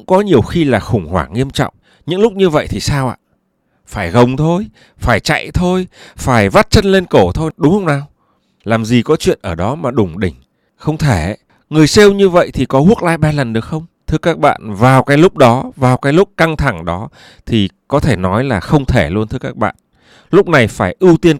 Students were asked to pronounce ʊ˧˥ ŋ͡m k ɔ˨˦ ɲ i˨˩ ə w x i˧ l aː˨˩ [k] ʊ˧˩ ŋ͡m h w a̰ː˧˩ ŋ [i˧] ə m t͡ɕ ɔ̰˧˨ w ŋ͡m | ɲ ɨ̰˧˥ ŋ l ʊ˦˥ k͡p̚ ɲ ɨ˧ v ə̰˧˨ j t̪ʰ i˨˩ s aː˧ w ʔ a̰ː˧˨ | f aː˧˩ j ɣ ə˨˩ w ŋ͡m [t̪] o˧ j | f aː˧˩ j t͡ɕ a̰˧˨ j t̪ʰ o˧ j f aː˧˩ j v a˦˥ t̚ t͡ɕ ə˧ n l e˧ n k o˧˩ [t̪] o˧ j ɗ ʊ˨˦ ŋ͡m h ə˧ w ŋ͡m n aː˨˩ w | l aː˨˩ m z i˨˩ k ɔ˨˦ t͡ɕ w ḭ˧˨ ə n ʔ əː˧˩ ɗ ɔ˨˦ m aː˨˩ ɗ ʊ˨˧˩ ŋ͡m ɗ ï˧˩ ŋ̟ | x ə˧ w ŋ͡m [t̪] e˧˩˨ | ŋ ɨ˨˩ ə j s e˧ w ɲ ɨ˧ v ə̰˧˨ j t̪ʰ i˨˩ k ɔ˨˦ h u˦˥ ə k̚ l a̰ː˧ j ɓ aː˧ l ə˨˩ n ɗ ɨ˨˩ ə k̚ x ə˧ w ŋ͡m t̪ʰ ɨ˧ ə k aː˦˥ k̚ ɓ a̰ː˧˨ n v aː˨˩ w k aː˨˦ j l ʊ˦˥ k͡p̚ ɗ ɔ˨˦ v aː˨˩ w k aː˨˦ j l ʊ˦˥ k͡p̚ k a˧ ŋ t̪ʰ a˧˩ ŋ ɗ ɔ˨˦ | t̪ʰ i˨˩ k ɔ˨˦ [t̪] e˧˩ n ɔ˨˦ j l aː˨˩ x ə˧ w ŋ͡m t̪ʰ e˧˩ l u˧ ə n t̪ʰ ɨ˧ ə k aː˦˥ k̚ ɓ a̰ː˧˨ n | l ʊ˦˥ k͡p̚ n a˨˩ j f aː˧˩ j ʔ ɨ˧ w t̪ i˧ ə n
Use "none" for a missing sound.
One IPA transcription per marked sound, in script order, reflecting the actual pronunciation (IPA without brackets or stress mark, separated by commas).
x, i˧, t̪ʰ, t̪ʰ, t̪ʰ, t̪ʰ